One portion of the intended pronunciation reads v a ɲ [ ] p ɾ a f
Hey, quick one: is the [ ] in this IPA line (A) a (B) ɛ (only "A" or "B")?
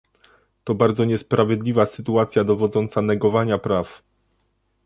A